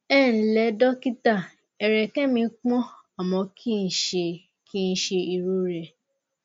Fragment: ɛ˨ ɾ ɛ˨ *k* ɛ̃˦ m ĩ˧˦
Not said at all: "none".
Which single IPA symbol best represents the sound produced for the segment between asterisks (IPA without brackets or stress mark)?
k